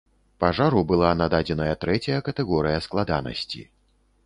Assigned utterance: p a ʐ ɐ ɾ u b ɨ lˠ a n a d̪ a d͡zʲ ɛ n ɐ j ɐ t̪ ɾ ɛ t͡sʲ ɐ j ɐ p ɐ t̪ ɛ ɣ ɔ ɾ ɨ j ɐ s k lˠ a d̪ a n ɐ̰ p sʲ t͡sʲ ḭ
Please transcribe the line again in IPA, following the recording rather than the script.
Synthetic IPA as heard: p a ʐ a ɾ u b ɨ lˠ a n a d̪ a d͡zʲ ɛ n ɐ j ɐ t̪ ɾ ɛ t͡sʲ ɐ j ɐ k ɐ t̪ ɛ ɣ ɔ ɾ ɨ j ɐ s k lˠ a d̪ a n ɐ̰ sʲ t͡sʲ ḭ

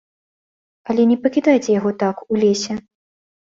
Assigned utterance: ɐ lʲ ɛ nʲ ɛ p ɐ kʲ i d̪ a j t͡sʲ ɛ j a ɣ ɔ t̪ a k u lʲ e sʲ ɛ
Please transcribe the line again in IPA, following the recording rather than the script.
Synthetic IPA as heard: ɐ lʲ ɛ nʲ ɛ p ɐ kʲ i d̪ a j t͡sʲ ɛ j a ɣ ɔ t̪ a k u lʲ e sʲ ɛ

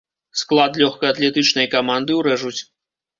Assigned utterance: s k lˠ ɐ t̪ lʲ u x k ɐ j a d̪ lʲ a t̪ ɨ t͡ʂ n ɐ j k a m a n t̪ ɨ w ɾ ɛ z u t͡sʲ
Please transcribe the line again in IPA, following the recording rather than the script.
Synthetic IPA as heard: s k lˠ a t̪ lʲ ɔ x k ɐ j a t̪ lʲ ɛ t̪ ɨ t͡ʂ n ɐ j k a m a n d̪ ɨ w ɾ ɛ ʐ u t͡sʲ

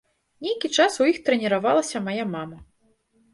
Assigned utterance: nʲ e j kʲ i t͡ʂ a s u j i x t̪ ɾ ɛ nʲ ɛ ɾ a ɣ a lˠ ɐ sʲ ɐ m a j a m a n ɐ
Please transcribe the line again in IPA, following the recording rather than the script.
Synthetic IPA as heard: nʲ e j kʲ i t͡ʂ a s u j i x t̪ ɾ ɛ nʲ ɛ ɾ a v a lˠ ɐ sʲ ɐ m a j a m a m ɐ

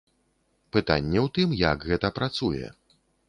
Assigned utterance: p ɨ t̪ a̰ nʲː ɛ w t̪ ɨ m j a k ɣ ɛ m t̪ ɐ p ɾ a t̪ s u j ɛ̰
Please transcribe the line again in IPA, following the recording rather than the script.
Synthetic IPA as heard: p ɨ t̪ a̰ nʲː ɛ w t̪ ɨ m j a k ɣ ɛ t̪ ɐ p ɾ a t̪ s u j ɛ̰

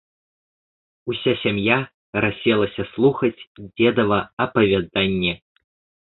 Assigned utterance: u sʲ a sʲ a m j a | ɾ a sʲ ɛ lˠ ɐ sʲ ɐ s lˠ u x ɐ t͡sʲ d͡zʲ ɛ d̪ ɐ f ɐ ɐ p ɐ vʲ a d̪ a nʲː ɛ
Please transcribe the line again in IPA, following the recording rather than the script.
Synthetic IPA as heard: u sʲ a sʲ a m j a | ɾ a sʲ ɛ lˠ ɐ sʲ ɐ s lˠ u x ɐ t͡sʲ d͡zʲ ɛ d̪ ɐ v ɐ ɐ p ɐ vʲ a d̪ a nʲː ɛ

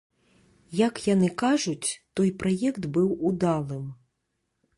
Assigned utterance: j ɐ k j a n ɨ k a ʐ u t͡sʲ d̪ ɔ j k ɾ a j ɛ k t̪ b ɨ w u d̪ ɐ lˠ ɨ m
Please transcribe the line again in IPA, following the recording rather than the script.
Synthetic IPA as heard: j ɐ k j a n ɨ k a ʐ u t͡sʲ t̪ ɔ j p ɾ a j ɛ k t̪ b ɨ w u d̪ a lˠ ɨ m

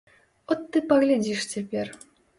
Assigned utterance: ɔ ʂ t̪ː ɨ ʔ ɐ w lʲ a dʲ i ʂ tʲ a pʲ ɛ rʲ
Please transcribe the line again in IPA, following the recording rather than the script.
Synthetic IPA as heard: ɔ t̪ː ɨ p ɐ ɣ lʲ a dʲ i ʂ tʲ e pʲ e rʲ

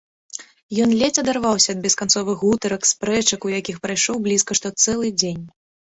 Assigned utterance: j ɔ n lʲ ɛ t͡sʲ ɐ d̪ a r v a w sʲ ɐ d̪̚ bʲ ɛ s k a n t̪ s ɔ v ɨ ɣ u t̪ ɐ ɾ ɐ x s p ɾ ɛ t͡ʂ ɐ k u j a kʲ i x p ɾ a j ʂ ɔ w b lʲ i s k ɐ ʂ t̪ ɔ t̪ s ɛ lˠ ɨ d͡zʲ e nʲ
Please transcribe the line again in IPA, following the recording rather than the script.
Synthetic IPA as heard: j ɔ n lʲ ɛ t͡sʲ ɐ d̪ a r v a w sʲ ɐ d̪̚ bʲ ɛ s k a n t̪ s ɔ v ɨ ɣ u t̪ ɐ ɾ ɐ k s p ɾ ɛ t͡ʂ ɐ k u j a kʲ i x p ɾ a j ʂ ɔ w b lʲ i s k ɐ ʂ t̪ ɔ t̪ s ɛ lˠ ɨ d͡zʲ e nʲ

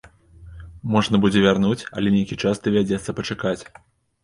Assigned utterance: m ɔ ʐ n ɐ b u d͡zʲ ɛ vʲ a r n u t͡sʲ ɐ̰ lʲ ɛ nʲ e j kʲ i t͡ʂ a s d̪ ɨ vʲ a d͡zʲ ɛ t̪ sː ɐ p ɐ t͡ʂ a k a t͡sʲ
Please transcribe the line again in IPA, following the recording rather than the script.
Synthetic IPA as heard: m ɔ ʐ n ɐ b u d͡zʲ ɛ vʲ a r n u t͡sʲ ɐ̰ lʲ ɛ nʲ e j kʲ i t͡ʂ a s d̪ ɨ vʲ a d͡zʲ ɛ t̪ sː ɐ p ɐ t͡ʂ a k a t͡sʲ

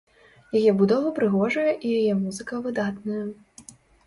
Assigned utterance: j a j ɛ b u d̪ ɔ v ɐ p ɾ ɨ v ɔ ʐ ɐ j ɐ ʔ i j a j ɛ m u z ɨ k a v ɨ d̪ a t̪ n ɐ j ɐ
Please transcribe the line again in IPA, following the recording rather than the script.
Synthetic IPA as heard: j a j ɛ b u d̪ ɔ v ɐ p ɾ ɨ ɣ ɔ ʐ ɐ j ɐ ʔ i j a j ɛ m u z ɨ k ɐ v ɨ d̪ a t̪ n ɐ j ɐ

